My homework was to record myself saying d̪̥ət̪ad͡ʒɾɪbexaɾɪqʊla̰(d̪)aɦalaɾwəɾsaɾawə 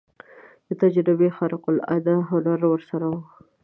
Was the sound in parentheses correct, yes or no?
yes